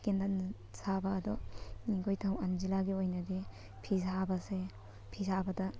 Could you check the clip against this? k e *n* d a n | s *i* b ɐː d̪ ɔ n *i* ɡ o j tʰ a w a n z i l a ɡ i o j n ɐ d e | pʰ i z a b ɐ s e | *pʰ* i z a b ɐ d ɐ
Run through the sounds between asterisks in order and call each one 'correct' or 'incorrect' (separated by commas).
correct, incorrect, correct, correct